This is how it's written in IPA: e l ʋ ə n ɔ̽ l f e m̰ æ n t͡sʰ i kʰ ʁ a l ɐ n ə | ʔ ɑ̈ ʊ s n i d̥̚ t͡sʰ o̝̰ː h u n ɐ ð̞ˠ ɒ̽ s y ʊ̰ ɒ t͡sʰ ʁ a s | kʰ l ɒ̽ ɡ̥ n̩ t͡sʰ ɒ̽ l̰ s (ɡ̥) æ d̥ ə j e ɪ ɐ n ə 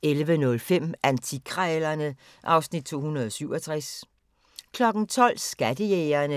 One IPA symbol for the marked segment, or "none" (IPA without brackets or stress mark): ɡ̥